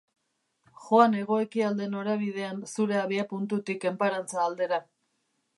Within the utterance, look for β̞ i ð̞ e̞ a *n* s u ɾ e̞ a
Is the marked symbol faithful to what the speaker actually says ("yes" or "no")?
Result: yes